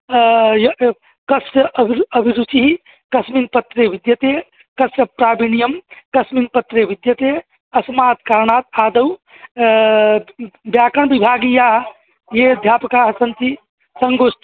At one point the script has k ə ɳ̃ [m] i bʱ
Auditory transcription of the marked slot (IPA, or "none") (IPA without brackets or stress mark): b